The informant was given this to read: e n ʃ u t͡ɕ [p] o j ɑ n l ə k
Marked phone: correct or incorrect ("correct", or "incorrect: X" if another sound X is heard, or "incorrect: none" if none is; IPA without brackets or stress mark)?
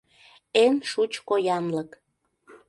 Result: incorrect: k